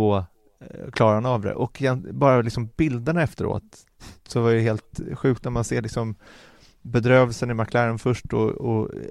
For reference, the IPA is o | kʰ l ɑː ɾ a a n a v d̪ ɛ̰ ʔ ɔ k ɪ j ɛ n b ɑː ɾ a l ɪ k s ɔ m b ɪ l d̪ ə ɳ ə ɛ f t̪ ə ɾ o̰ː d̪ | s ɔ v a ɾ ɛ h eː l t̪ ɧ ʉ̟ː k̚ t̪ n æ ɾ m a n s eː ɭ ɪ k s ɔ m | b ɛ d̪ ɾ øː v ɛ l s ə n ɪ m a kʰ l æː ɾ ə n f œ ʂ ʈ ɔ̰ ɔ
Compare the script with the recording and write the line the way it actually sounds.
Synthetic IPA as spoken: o | kʰ l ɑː ɾ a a n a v d̪ ɛ̰ ʔ ɔ k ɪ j ɛ n b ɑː ɾ a l ɪ k s ɔ m b ɪ l d̪ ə ɳ a ɛ f t̪ ə ɾ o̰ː t̪ | s ɔ v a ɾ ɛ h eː l t̪ ɧ ʉ̟ː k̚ t̪ n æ ɾ m a n s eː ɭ ɪ k s ɔ m | b ɛ d̪ ɾ øː v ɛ l s ə n ɪ m a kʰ l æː ɾ ə n f œ ʂ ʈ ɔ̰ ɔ